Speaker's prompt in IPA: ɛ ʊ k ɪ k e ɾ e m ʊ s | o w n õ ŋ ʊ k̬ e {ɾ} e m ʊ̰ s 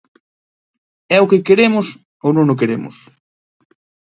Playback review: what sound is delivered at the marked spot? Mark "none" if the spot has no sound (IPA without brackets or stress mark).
ɾ